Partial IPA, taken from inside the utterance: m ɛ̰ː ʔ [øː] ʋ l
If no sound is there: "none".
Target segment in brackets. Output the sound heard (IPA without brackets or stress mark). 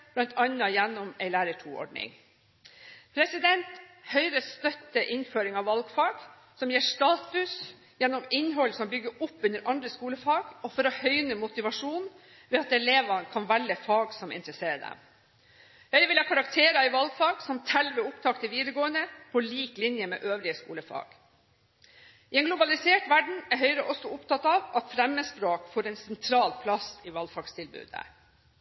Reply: øː